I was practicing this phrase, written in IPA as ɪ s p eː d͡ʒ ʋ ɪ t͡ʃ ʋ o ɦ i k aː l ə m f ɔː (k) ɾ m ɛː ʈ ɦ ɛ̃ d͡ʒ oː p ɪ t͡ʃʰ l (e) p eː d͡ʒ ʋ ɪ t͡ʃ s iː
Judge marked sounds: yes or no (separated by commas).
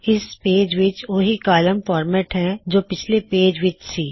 no, yes